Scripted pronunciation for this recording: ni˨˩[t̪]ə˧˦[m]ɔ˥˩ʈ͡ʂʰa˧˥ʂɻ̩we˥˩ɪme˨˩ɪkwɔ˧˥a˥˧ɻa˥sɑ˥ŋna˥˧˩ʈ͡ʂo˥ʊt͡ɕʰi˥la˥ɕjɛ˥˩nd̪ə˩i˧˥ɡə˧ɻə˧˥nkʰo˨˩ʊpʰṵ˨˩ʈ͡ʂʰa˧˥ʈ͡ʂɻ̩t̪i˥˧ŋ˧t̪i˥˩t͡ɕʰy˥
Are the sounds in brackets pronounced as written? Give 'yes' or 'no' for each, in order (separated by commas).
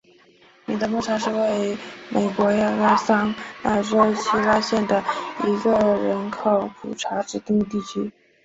no, yes